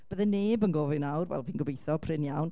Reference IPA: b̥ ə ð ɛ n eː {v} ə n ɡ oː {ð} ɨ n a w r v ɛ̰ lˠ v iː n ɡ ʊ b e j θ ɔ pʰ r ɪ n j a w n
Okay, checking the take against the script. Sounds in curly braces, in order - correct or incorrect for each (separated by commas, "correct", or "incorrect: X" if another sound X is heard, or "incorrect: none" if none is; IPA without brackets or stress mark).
incorrect: b, incorrect: v